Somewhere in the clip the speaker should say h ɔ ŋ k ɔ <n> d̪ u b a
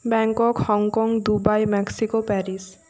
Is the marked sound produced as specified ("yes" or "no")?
no